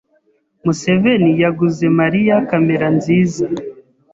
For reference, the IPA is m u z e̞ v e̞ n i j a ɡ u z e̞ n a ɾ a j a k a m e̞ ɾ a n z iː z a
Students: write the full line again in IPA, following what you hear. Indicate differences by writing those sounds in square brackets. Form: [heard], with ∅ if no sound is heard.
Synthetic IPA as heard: m u [s] e̞ v e̞ n i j a ɡ u z e̞ [m] a ɾ [i] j a k a m e̞ ɾ a n z iː z a